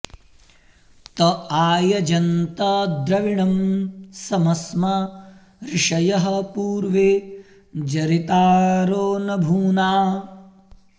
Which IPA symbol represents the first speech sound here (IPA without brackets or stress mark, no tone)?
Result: t̪